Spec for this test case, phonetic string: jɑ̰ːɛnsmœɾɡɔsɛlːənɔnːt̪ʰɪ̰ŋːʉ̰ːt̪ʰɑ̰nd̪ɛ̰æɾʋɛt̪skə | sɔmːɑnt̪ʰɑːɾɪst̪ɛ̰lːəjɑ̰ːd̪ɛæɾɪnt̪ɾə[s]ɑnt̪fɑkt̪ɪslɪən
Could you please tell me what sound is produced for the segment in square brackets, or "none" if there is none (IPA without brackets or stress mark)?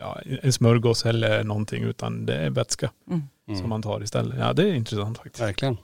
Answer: s